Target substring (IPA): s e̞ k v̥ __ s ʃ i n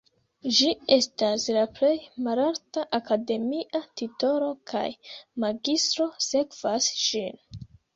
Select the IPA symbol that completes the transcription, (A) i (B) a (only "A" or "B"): B